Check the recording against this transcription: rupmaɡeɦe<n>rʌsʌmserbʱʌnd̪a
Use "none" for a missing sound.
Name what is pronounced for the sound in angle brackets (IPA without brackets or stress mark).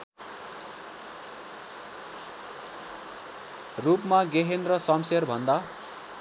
n